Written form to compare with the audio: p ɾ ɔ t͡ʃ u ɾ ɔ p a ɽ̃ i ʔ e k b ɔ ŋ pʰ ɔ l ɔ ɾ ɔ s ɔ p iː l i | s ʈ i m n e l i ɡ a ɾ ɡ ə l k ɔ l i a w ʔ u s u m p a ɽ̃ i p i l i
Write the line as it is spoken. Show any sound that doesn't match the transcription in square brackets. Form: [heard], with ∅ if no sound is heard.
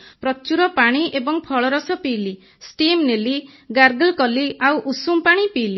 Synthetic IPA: p ɾ ɔ t͡ʃ u ɾ ɔ p a ɽ̃ i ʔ e [∅] b ɔ ŋ pʰ ɔ [ɭ] ɔ ɾ ɔ s ɔ p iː l i | s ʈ i m n e l i ɡ a ɾ ɡ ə l k ɔ l i a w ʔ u s u m p a ɽ̃ i p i l i